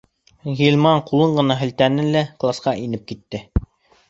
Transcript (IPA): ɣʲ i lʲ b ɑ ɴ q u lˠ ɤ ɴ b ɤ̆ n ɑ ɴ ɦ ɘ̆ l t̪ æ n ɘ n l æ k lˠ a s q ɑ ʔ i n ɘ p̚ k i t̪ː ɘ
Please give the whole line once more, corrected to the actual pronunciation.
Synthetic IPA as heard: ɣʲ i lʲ m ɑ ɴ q u lˠ ɤ ɴ ɢ ɤ̆ n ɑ ɦ ɘ̆ l t̪ æ n ɘ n l æ k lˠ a s q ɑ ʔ i n ɘ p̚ k i t̪ː ɘ